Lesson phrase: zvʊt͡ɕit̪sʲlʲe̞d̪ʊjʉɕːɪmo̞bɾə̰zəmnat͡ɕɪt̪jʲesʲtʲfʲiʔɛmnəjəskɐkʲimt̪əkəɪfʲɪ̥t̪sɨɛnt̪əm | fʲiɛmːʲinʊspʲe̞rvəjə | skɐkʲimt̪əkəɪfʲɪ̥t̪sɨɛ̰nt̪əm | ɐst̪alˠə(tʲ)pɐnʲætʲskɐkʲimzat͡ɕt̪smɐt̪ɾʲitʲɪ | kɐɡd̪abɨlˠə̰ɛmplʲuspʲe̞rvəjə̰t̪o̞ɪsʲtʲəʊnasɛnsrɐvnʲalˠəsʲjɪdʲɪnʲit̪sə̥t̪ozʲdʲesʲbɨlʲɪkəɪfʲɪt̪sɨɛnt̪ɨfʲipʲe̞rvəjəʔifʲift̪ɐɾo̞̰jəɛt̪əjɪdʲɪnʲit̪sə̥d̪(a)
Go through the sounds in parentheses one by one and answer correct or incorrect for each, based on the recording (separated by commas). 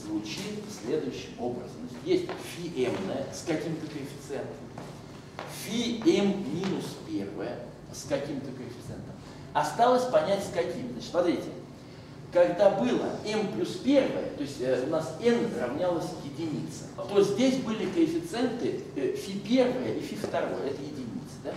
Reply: incorrect, correct